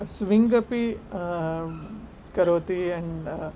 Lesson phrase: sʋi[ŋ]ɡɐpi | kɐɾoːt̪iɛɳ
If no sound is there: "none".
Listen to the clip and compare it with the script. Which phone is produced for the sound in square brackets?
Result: ŋ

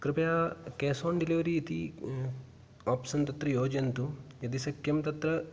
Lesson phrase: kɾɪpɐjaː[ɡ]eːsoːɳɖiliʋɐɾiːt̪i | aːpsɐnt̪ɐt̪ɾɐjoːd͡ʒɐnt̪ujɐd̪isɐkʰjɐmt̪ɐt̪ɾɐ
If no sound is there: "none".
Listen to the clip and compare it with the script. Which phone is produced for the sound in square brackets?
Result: k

